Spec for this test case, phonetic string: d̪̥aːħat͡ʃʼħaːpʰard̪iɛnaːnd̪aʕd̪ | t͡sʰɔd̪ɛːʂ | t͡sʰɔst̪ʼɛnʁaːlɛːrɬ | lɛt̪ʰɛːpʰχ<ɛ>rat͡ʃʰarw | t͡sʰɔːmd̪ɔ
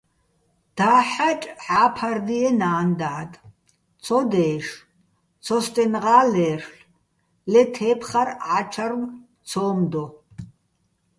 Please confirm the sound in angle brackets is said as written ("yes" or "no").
no